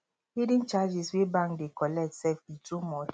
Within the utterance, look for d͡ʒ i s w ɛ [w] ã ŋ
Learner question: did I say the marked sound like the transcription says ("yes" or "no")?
no